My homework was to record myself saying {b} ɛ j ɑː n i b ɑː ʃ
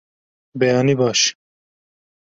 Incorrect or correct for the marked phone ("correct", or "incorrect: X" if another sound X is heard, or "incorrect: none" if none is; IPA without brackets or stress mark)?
correct